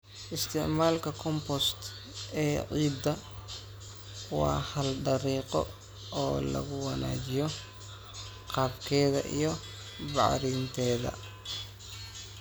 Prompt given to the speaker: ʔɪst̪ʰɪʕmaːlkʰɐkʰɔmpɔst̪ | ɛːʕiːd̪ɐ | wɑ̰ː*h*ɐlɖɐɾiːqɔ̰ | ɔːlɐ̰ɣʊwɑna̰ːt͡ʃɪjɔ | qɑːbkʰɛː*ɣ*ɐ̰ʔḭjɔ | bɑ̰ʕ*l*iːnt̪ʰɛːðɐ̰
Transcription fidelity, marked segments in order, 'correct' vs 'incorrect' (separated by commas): correct, incorrect, incorrect